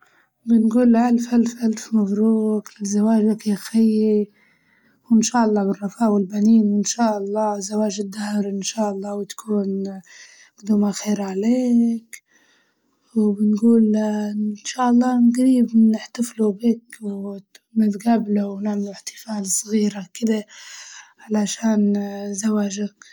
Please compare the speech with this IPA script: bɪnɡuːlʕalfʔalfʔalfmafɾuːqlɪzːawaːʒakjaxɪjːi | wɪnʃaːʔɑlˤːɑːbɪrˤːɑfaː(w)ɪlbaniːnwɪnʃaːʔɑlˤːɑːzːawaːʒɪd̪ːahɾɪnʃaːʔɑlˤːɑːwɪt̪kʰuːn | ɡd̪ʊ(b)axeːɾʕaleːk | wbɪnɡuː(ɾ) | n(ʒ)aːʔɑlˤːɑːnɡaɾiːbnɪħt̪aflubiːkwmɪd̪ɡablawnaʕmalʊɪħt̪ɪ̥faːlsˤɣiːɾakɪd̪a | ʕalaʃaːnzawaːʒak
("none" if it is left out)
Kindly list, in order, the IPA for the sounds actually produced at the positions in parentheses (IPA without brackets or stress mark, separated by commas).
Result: w, m, l, ʃ